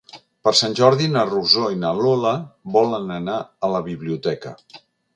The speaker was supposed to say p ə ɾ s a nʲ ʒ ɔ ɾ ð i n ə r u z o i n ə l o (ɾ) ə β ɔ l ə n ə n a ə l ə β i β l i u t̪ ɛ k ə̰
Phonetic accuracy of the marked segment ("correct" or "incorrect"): incorrect